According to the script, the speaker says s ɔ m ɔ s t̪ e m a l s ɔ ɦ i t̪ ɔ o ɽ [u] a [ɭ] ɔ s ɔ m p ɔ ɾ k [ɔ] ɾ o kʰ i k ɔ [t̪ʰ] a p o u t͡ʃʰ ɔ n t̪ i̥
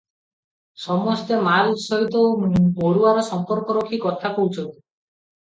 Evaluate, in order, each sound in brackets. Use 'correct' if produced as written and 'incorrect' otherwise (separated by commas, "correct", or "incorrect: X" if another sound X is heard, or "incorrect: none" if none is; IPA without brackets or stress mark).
correct, incorrect: ɾ, correct, correct